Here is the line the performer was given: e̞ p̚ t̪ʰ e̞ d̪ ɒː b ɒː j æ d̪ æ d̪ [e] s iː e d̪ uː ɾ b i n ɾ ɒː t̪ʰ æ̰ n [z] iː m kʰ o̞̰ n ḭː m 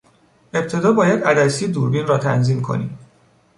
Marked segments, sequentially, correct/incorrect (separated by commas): incorrect, correct